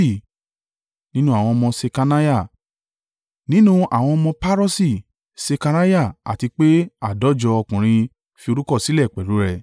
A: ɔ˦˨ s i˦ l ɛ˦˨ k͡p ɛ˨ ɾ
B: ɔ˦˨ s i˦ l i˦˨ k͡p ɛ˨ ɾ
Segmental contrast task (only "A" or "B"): A